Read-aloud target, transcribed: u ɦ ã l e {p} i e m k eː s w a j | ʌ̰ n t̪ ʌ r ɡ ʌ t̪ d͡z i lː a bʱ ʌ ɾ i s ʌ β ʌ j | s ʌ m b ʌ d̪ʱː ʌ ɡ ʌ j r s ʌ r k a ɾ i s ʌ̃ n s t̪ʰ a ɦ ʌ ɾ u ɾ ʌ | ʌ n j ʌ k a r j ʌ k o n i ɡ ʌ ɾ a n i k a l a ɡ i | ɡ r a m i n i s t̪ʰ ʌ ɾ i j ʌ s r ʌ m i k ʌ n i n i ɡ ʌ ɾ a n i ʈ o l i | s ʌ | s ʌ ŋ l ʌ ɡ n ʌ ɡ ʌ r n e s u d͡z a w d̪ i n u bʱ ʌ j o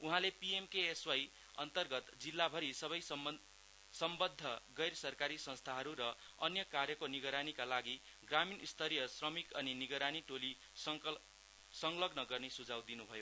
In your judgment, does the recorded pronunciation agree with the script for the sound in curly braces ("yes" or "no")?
yes